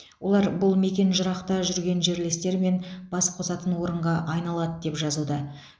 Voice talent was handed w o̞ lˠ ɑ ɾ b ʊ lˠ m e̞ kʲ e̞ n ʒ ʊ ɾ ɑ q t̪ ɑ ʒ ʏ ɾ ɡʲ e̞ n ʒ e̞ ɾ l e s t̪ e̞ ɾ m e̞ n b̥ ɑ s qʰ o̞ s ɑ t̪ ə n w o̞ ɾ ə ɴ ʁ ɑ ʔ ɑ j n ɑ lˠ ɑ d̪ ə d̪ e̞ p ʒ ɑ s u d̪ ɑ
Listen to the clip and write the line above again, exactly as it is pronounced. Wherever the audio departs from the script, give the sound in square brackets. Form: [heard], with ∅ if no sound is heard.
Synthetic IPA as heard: w o̞ lˠ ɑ ɾ b ʊ lˠ m e̞ kʲ e̞ n ʒ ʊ ɾ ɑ q t̪ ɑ ʒ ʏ ɾ ɡʲ e̞ n ʒ e̞ ɾ l e s t̪ e̞ ɾ m e̞ n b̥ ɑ s qʰ o̞ s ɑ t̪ ə n w o̞ ɾ ə ɴ ʁ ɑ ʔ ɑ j n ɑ lˠ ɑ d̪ ə d̪ e̞ p ʒ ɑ [z] u d̪ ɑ